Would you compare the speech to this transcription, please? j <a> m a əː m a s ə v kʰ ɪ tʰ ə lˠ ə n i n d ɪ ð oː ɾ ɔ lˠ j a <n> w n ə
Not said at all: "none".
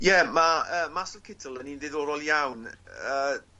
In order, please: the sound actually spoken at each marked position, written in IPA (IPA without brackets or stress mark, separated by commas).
ɛ, none